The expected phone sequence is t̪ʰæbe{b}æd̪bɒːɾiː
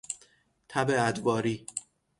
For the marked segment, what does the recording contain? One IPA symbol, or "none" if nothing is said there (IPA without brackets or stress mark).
none